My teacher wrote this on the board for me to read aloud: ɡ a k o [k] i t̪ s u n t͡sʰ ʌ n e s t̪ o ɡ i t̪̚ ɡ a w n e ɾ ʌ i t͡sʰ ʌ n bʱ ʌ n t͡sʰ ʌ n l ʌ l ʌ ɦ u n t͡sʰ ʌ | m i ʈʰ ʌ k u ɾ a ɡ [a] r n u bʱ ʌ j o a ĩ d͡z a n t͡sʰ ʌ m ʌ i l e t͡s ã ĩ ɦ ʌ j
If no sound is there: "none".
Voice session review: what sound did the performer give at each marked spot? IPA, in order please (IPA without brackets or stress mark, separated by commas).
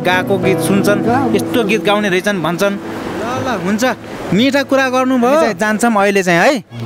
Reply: ɡ, ʌ